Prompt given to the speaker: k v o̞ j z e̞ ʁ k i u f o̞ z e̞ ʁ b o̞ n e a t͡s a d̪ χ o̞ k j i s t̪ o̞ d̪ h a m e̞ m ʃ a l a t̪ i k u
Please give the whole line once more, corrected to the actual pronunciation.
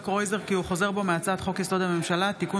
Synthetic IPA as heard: k ʁ o̞ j z e̞ ʁ k i u χ o̞ z e̞ ʁ b o̞ m e a t͡s a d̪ χ o̞ k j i s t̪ o̞ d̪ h a m e̞ m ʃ a l a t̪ i k u